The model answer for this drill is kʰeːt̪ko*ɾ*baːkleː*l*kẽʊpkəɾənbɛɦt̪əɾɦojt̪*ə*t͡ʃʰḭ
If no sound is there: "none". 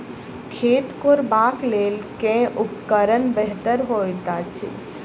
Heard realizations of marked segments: ɾ, l, a

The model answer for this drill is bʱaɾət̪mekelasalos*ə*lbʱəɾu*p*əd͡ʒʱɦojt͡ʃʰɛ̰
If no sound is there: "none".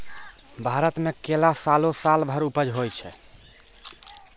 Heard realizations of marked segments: a, p

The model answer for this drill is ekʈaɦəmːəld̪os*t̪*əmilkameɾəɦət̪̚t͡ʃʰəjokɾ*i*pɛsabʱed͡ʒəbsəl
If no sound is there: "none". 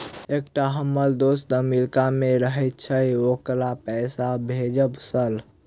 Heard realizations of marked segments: d̪, a

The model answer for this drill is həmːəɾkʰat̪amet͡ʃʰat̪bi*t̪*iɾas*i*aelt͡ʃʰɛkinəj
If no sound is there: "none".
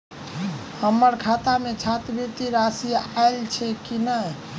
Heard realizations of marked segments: t̪, i

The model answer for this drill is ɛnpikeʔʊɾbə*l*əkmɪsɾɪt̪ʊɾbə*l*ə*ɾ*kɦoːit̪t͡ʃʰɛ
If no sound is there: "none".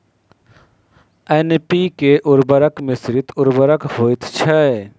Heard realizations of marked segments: ɾ, ɾ, none

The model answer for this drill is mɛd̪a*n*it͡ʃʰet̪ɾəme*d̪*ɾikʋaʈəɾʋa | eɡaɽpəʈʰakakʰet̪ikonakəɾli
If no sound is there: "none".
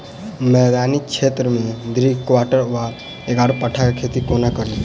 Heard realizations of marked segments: n, d̪

